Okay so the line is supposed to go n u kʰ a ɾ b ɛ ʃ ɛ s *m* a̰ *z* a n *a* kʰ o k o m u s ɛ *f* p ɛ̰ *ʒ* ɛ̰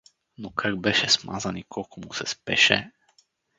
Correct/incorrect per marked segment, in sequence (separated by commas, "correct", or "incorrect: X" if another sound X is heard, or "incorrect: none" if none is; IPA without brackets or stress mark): correct, correct, incorrect: i, incorrect: s, incorrect: ʃ